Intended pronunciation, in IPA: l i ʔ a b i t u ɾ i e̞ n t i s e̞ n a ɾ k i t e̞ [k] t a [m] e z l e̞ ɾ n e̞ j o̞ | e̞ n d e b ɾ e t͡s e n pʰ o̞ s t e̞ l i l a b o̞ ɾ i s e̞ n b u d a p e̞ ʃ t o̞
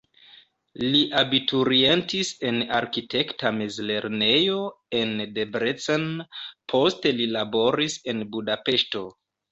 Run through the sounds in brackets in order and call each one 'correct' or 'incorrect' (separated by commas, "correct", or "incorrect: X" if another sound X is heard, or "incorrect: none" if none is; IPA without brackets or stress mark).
correct, correct